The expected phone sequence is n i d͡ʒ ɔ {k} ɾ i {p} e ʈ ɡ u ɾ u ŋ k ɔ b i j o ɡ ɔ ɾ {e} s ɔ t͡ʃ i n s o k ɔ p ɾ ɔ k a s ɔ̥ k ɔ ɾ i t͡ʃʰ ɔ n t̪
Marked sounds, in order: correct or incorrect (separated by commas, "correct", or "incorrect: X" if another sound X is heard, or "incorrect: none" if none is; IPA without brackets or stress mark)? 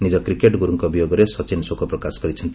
correct, incorrect: k, correct